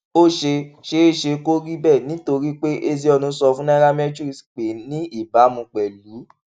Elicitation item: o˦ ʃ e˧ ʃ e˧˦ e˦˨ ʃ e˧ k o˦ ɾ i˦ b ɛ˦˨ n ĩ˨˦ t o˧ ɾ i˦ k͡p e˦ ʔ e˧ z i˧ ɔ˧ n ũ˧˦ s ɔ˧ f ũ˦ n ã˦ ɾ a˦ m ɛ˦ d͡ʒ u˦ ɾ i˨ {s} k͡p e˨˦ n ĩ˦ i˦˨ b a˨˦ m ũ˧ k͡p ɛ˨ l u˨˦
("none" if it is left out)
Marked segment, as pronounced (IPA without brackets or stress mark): s